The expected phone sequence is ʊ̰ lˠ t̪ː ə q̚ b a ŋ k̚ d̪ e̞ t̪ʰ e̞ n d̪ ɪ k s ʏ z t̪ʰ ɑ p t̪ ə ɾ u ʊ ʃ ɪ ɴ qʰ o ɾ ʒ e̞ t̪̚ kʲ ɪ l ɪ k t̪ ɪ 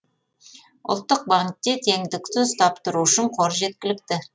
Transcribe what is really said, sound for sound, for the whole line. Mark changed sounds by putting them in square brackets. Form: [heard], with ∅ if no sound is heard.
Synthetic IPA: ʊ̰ lˠ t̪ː ə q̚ b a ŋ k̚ [t̪] e̞ t̪ʰ e̞ [ŋ] d̪ ɪ k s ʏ z t̪ʰ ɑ p t̪ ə ɾ u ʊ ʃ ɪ ɴ qʰ o ɾ ʒ e̞ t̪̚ kʲ ɪ l ɪ k t̪ ɪ